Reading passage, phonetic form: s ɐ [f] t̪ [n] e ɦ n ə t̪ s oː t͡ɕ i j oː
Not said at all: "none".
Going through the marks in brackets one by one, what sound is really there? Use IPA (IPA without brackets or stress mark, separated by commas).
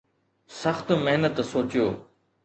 x, m